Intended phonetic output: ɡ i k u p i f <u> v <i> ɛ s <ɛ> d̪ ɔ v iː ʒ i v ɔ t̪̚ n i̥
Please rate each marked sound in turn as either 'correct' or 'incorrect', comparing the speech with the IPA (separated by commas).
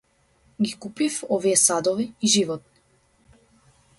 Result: incorrect, correct, incorrect